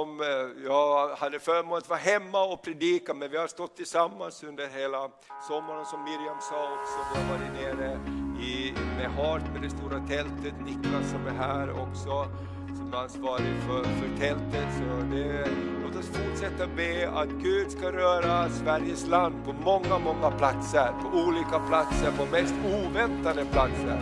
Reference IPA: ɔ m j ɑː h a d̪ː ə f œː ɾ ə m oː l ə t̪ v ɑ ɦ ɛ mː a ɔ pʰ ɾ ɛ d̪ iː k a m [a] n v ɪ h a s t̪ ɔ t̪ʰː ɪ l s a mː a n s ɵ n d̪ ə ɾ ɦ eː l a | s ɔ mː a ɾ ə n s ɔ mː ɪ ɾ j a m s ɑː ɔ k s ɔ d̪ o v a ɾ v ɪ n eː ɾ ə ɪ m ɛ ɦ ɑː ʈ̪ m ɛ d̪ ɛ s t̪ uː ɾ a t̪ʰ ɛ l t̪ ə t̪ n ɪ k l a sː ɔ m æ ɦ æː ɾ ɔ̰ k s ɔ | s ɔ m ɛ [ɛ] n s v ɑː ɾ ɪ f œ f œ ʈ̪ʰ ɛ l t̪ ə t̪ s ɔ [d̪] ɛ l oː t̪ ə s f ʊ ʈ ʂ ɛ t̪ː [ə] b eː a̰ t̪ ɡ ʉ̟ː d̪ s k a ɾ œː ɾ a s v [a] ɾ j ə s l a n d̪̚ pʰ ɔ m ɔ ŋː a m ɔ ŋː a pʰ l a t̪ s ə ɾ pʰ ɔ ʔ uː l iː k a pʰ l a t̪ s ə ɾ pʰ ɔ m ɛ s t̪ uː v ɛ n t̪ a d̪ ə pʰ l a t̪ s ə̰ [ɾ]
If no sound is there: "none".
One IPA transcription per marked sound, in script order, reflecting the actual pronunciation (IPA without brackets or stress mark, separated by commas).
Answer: ɛ, a, d̪, a, æ, ɾ